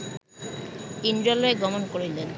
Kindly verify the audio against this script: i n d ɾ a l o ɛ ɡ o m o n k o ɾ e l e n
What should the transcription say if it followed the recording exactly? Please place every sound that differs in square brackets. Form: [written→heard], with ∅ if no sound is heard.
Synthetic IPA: i n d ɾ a l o [ɛ→e] ɡ [o→ɔ] m o n k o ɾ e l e n